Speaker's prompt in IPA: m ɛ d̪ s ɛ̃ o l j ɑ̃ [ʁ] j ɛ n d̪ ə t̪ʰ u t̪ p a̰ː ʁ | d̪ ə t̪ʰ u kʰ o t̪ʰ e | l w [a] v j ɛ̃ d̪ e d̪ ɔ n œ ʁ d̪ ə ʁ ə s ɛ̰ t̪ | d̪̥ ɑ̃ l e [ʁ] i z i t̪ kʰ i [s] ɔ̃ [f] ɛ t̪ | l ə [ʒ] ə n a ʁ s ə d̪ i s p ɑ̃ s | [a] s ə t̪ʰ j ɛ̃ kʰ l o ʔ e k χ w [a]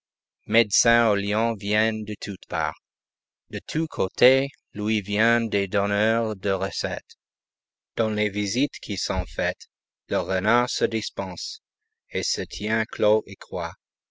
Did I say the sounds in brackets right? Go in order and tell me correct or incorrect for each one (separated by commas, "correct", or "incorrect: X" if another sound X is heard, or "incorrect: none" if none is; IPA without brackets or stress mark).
incorrect: v, incorrect: i, incorrect: v, correct, correct, incorrect: ʁ, incorrect: e, correct